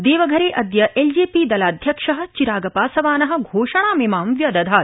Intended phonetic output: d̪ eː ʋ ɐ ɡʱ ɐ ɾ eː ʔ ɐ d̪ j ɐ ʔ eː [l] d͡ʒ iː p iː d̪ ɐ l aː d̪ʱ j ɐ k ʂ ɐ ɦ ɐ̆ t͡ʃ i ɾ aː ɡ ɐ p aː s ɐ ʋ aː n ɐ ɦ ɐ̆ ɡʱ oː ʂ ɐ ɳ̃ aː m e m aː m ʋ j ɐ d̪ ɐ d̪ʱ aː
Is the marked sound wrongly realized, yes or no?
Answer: no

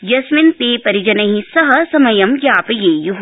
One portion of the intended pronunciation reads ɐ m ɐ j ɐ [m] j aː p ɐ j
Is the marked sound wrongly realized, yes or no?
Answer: no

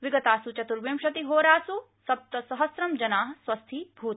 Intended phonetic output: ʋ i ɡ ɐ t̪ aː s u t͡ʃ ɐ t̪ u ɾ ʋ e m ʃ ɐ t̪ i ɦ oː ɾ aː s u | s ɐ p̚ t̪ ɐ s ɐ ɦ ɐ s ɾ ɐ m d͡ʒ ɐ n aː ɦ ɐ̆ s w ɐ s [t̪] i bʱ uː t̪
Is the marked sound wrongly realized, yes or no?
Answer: yes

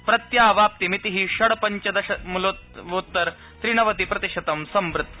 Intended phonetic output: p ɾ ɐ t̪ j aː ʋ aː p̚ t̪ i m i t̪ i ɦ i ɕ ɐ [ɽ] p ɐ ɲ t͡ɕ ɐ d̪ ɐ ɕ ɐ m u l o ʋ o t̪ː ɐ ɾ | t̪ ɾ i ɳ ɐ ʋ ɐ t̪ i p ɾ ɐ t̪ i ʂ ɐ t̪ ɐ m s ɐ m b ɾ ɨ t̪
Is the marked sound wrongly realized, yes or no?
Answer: no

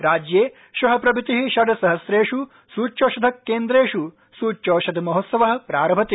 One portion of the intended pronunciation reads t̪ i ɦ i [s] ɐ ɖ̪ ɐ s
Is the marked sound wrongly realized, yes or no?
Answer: yes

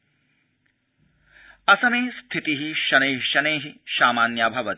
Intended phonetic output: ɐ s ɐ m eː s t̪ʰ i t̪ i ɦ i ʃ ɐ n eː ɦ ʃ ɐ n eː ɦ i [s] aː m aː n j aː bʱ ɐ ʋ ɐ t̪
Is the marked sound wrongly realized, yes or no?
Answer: yes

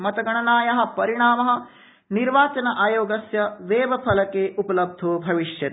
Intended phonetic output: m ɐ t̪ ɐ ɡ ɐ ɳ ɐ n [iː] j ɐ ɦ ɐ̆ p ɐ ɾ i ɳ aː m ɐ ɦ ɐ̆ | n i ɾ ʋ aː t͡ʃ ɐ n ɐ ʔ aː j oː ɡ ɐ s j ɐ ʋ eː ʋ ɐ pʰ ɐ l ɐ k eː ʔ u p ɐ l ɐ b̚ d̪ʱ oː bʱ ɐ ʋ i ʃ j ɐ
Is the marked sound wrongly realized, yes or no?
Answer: yes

